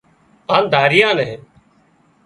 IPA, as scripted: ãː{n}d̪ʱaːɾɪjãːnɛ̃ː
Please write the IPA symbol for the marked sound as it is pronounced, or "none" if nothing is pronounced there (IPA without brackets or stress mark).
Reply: n